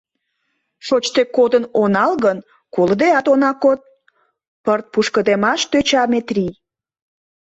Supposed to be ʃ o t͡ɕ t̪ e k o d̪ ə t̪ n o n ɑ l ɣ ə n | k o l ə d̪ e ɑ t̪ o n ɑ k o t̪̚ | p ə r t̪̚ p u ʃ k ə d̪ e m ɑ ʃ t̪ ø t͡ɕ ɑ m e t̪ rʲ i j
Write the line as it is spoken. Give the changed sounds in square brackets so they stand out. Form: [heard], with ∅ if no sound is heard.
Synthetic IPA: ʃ o t͡ɕ t̪ e k o d̪ ə [∅] n o n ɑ l ɣ ə n | k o l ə d̪ e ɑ t̪ o n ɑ k o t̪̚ | p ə r t̪̚ p u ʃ k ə d̪ e m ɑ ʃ t̪ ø t͡ɕ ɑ m e t̪ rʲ i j